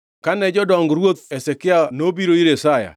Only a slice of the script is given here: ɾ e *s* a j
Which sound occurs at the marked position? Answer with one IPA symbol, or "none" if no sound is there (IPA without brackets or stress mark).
s